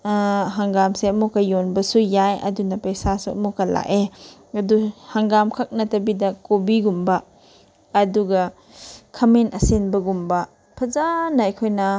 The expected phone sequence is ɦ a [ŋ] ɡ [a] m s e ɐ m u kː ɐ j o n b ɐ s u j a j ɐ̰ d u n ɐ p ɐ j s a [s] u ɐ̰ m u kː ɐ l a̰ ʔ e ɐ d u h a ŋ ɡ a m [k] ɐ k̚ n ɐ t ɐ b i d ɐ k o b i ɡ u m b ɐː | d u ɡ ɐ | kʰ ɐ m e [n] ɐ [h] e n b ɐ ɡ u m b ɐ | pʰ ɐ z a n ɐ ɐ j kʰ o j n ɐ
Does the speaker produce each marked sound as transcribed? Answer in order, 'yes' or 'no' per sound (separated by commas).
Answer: yes, yes, yes, no, yes, no